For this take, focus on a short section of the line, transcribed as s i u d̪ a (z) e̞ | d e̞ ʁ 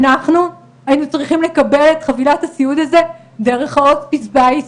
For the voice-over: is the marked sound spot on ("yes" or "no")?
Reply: yes